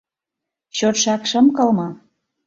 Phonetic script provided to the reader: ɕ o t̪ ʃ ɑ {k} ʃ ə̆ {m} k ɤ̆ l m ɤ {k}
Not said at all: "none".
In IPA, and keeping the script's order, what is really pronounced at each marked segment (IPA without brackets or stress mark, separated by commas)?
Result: k, m, none